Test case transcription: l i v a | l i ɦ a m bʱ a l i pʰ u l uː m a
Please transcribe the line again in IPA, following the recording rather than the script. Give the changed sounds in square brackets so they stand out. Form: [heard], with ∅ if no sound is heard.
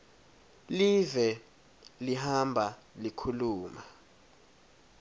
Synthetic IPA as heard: l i v [ɛ] | l i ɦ a m bʱ a l i [kʰ] u l uː m a